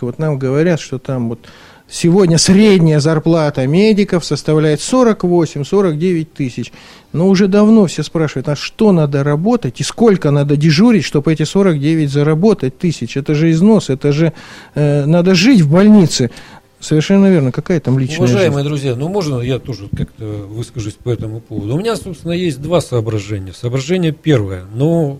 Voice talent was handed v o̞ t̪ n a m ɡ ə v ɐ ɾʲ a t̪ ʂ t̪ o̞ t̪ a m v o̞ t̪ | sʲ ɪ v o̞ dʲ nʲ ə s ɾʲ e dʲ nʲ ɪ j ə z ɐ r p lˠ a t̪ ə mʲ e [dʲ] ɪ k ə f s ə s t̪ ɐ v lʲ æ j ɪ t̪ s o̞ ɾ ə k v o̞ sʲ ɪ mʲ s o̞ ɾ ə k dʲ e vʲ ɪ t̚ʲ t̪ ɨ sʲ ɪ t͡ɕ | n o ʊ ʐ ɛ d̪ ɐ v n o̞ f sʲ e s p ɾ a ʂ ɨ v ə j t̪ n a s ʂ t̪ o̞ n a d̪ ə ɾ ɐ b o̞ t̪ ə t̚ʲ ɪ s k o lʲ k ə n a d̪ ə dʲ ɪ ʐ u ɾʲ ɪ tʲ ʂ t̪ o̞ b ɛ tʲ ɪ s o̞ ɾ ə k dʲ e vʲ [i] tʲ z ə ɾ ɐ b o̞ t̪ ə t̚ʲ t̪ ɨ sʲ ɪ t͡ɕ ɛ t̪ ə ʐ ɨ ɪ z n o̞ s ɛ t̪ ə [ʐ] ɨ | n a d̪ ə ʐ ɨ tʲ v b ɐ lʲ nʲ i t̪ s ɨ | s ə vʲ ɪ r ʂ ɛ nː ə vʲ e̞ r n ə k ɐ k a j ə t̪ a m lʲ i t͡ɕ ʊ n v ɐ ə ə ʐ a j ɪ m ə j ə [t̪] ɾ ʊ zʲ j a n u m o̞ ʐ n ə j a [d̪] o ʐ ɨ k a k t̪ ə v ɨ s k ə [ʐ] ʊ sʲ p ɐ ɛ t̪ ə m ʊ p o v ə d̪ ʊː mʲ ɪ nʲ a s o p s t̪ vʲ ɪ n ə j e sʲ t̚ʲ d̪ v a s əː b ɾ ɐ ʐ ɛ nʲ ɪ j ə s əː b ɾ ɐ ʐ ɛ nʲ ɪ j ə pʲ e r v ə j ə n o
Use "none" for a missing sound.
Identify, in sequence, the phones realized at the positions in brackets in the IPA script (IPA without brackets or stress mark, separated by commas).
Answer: dʲ, ɪ, ʐ, d̪, t̪, ʐ